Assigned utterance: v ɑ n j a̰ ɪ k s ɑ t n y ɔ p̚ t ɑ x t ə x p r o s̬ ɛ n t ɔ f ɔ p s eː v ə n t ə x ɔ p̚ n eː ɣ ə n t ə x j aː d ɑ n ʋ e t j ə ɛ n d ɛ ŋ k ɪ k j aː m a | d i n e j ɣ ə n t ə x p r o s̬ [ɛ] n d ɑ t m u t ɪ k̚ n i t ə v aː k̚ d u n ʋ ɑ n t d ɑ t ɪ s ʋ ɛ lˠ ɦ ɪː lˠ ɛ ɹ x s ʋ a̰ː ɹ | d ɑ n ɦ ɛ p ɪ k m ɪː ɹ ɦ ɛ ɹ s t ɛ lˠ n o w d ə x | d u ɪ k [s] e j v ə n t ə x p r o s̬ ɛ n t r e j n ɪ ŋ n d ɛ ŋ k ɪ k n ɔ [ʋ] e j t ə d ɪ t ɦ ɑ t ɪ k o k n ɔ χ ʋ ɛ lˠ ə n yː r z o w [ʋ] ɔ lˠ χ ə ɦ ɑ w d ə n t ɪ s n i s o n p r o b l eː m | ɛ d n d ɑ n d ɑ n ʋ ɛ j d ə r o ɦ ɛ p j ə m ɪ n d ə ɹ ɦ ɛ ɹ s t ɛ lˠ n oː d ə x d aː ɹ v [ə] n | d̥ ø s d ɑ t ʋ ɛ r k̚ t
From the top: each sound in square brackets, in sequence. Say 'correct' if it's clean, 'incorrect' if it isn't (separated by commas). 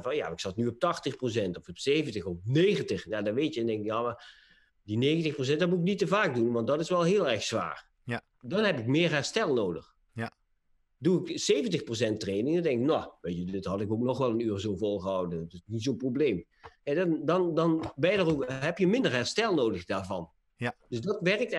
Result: correct, correct, correct, incorrect, incorrect